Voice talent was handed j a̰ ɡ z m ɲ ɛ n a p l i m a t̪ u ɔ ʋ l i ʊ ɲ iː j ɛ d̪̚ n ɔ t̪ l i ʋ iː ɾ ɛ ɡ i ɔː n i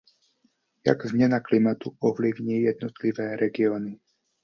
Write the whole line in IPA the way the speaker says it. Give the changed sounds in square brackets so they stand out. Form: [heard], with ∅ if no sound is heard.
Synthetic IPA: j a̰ ɡ z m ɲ ɛ n a [k] l i m a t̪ u ɔ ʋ l i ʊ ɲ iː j ɛ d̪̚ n ɔ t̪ l i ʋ [ɛː] ɾ ɛ ɡ i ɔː n i